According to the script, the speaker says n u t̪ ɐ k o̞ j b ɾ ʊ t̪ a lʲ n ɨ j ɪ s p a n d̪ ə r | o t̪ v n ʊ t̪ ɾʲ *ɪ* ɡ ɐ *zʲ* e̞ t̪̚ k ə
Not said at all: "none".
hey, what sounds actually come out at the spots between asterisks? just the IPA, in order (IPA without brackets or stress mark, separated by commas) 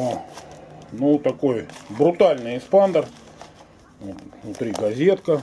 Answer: i, zʲ